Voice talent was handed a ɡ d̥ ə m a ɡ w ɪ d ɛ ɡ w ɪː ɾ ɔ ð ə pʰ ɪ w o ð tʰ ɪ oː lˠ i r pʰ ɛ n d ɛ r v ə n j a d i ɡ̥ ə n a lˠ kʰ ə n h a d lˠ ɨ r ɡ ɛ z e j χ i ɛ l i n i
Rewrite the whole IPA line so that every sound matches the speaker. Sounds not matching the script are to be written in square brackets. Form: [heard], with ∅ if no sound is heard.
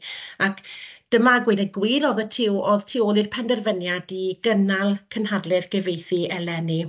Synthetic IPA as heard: a [k] d̥ ə m a ɡ w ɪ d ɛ ɡ w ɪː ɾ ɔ ð ə [tʰ] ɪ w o ð tʰ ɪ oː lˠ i r pʰ ɛ n d ɛ r v ə n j a d i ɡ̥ ə n a lˠ kʰ ə n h a d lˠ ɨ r ɡ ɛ [v] e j [θ] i ɛ l [ɛ] n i